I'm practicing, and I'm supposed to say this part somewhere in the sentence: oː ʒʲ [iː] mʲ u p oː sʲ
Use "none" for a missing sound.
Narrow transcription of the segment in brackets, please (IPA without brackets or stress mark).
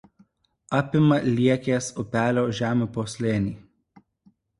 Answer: æː